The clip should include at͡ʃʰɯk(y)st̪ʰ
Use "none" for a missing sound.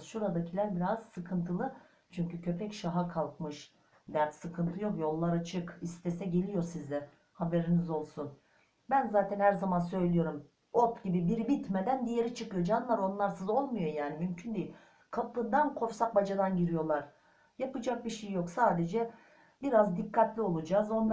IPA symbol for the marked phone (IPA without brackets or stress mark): i